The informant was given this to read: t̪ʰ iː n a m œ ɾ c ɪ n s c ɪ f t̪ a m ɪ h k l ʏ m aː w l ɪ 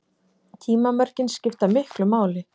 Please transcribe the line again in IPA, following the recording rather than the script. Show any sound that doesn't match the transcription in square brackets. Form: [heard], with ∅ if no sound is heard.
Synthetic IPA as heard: t̪ʰ iː [m] a m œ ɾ c ɪ n s c ɪ f t̪ a m ɪ h k l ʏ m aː w l ɪ